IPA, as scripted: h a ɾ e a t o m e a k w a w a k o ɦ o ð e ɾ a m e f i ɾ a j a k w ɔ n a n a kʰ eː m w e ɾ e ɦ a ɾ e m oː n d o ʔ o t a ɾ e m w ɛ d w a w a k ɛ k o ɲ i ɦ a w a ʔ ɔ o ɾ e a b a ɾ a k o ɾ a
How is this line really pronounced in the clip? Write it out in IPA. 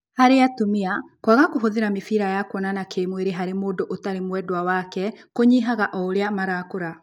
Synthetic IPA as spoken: h a ɾ e a t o m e a k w a ɣ a k o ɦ o ð e ɾ a m e f i ɾ a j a k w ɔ n a n a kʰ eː m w e ɾ e ɦ a ɾ e m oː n d o ʔ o t a ɾ e m w ɛ d w a w a k ɛ k o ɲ i ɦ a ɣ a ʔ ɔ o ɾ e a m a ɾ a k o ɾ a